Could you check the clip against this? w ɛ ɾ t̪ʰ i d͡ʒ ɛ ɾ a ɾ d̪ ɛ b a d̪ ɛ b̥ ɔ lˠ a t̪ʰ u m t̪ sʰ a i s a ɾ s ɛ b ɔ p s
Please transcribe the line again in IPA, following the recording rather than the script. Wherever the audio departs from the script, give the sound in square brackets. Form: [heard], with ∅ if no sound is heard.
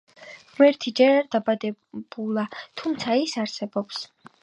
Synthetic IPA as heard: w ɛ ɾ t̪ʰ i d͡ʒ ɛ ɾ a ɾ d̪ [a] b a d̪ ɛ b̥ [u] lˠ a t̪ʰ u m t̪ sʰ a i s a ɾ s ɛ b ɔ p s